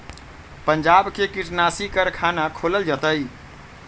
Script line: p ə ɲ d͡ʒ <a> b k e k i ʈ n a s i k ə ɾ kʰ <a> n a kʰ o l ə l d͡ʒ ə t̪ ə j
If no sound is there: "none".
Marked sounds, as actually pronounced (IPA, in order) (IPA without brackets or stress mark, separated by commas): a, a